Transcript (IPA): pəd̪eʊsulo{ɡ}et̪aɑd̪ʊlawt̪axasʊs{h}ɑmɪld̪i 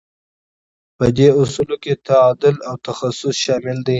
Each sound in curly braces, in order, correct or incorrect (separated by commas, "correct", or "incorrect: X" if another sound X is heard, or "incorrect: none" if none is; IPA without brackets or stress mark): incorrect: k, incorrect: ʃ